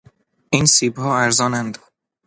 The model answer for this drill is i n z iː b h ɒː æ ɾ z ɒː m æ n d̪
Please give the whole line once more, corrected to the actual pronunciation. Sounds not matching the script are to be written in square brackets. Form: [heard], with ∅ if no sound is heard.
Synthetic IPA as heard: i n [s] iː b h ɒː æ ɾ z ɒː [n] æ n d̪